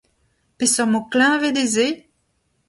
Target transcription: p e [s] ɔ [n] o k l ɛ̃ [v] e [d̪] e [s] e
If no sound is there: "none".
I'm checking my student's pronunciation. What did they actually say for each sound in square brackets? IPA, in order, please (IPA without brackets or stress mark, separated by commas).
s, m, v, d̪, z